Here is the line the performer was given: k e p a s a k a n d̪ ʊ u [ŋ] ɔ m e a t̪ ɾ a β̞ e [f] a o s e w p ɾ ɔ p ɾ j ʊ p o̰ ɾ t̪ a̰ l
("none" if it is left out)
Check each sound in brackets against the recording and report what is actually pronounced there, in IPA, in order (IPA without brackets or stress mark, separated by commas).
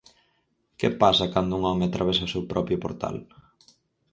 ŋ, s